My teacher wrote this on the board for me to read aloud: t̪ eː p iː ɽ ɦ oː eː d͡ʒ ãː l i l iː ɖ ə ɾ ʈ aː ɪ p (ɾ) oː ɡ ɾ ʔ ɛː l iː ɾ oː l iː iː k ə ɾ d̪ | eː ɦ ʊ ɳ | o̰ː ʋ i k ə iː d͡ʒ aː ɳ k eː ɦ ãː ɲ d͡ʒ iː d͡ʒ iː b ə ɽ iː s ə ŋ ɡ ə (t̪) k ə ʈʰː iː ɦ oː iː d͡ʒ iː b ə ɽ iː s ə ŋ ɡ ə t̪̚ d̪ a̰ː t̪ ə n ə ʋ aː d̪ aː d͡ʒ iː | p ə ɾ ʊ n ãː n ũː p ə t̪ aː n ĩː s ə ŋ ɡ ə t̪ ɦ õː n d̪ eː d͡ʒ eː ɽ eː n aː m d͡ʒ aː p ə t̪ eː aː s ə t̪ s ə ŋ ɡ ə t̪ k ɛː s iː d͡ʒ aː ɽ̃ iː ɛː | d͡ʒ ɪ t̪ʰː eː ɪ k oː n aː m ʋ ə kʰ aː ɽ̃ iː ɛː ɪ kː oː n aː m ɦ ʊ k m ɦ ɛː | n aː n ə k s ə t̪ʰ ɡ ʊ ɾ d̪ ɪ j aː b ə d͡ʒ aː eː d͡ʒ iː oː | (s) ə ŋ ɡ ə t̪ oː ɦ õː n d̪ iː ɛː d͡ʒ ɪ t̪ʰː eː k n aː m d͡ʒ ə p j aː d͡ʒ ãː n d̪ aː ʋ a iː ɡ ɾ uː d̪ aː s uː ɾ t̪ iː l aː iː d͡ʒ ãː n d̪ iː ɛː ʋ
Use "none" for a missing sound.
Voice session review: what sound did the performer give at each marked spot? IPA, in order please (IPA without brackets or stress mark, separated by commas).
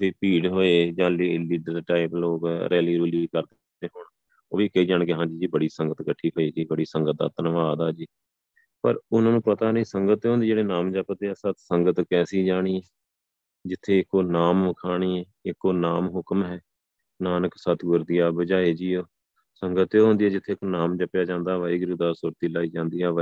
l, t̪, s